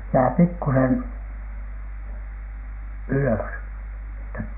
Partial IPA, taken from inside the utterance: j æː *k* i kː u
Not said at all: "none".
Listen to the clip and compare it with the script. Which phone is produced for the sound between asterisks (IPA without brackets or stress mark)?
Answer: p